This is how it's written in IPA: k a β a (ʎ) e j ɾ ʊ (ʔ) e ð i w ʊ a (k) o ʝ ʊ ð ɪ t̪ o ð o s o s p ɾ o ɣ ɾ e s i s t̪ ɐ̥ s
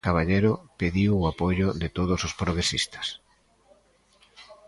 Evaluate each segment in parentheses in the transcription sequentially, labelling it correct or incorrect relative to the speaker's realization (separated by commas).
correct, incorrect, incorrect